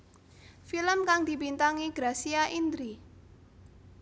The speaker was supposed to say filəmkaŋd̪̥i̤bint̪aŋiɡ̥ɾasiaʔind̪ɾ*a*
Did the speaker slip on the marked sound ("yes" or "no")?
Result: yes